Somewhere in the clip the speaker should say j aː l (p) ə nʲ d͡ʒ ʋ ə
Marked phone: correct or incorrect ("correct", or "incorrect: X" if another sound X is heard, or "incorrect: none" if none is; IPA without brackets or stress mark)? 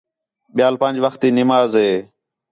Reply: correct